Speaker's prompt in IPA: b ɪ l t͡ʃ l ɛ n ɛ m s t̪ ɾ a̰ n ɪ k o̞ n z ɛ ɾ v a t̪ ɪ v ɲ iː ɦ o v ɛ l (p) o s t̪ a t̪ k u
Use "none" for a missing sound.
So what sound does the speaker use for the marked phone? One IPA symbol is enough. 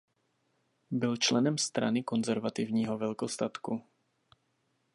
k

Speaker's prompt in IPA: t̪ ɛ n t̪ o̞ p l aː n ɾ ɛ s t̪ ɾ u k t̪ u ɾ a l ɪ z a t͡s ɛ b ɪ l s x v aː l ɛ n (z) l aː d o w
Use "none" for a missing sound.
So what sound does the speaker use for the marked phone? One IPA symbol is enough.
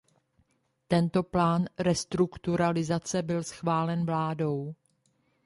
v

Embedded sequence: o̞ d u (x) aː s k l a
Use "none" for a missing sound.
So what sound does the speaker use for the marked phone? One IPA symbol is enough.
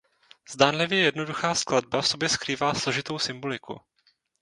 x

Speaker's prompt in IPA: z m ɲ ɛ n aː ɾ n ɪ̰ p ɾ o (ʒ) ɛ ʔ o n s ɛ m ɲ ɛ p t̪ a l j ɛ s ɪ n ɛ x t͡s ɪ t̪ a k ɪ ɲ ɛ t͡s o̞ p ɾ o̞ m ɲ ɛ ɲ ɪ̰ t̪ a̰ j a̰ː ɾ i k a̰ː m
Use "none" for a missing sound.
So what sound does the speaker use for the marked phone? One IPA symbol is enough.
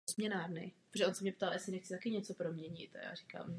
ʒ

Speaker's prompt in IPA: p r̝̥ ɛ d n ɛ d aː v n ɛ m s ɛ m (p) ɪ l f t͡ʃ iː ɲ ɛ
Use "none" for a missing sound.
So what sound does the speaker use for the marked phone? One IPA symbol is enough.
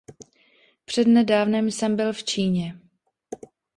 b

